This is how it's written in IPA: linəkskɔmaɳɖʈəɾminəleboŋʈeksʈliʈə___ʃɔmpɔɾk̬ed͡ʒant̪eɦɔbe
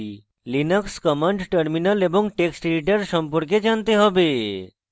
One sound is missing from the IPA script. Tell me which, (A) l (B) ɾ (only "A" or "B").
B